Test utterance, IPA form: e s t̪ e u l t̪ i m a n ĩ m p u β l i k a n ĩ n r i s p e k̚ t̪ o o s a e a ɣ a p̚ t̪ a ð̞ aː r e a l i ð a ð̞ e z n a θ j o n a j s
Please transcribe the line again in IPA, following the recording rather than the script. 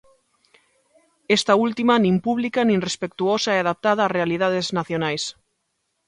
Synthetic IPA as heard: e s t̪ a u l t̪ i m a n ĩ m p u β l i k a n ĩ n r e s p e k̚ t̪ u o s a e a ð a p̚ t̪ a ð̞ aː r e a l i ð a ð̞ e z n a θ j o n a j s

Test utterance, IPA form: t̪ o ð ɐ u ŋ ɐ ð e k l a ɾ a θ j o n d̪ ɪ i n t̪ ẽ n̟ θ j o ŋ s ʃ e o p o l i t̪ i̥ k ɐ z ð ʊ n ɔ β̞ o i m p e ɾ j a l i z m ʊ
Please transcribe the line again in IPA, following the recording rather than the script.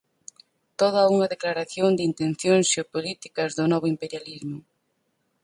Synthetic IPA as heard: t̪ o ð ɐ u ŋ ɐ ð e k l a ɾ a θ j o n d̪ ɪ i n t̪ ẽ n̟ θ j o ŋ s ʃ e o p o l i t̪ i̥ k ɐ z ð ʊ n ɔ β̞ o i m p e ɾ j a l i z m ʊ

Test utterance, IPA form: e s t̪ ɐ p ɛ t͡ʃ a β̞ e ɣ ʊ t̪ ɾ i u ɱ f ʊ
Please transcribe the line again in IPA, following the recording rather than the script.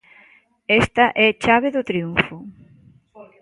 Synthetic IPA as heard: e s t̪ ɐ ʔ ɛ t͡ʃ a β̞ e ð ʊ t̪ ɾ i u ɱ f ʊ

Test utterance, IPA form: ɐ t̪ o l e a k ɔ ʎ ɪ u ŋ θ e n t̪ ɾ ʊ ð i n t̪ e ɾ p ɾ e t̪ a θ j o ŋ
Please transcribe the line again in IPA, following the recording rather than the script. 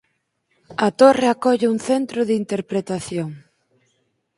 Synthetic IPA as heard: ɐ t̪ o r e a k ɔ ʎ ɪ u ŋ θ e n t̪ ɾ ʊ ð i n t̪ e ɾ p ɾ e t̪ a θ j o ŋ

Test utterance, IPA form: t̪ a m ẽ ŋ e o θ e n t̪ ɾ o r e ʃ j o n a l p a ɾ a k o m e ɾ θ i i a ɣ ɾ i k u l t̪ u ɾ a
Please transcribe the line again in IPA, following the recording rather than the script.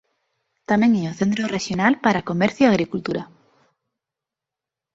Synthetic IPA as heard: t̪ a m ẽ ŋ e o θ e n t̪ ɾ o r e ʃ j o n a l p a ɾ a k o m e ɾ θ j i a ɣ ɾ i k u l t̪ u ɾ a

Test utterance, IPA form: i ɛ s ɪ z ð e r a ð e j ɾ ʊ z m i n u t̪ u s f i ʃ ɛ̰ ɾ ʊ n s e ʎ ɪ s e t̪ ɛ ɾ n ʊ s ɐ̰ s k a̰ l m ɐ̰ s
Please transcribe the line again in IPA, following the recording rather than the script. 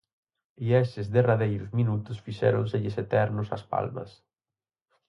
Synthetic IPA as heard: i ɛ s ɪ z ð e r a ð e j ɾ ʊ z m i n u t̪ ʊ s f i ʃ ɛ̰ ɾ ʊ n s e ʎ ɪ s e t̪ ɛ ɾ n ʊ s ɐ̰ s p a̰ l m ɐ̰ s

